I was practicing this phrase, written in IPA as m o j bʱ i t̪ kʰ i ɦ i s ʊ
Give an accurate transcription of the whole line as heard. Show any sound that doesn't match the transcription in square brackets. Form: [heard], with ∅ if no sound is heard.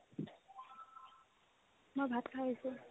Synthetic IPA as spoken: m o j bʱ [a] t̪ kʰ [a] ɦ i s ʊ